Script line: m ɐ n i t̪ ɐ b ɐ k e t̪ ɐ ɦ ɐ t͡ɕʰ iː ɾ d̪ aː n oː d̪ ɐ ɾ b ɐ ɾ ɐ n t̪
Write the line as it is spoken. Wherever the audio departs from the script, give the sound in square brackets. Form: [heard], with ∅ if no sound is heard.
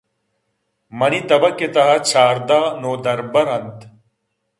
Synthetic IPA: m ɐ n i t̪ ɐ b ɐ k e t̪ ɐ ɦ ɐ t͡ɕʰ [aː] ɾ d̪ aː n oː d̪ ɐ ɾ b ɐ ɾ ɐ n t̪